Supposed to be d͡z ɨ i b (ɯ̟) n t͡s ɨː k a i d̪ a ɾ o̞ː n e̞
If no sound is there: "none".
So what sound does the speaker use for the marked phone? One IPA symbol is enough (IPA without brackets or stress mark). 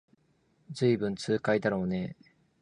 ɯ̟̃